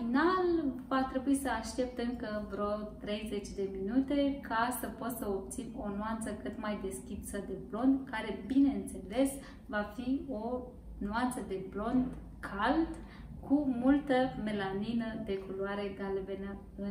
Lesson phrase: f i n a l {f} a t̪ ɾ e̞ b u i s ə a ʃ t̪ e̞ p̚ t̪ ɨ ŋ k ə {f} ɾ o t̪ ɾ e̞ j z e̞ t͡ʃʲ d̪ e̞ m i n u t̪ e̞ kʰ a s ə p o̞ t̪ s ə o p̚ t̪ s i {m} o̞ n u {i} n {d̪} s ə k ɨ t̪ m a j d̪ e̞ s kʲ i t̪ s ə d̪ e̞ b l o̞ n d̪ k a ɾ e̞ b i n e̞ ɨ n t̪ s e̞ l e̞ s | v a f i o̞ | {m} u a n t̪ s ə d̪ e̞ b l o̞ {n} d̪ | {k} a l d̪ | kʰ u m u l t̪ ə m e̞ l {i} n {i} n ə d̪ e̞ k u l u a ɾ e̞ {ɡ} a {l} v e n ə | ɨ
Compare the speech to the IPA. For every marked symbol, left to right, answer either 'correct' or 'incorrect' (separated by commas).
incorrect, incorrect, incorrect, incorrect, incorrect, incorrect, correct, incorrect, incorrect, correct, correct, correct